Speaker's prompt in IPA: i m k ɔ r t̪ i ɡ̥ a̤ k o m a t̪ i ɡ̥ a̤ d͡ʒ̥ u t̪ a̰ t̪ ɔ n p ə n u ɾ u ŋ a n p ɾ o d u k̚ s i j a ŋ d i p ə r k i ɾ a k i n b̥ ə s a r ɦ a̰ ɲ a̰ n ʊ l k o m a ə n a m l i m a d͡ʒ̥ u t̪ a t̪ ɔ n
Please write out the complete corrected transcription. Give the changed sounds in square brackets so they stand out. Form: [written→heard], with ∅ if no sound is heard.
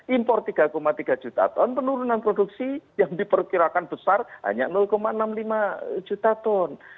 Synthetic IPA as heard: i m [k→p] ɔ r t̪ i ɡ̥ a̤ k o m a t̪ i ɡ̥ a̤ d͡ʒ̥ u t̪ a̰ t̪ ɔ n p ə n u ɾ u [ŋ→n] a n p ɾ o d u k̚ s i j a ŋ d i p ə r k i ɾ a k [i→a] n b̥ ə s a r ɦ a̰ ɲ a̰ n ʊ l k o m a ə n a m l i m a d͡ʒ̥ u t̪ a t̪ ɔ n